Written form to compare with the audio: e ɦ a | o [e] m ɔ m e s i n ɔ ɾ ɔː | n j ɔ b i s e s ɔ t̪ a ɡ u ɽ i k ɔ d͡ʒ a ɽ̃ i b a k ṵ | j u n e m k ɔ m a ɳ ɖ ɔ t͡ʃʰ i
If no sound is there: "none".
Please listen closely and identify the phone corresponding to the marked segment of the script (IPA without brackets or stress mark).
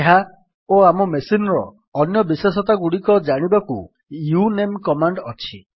a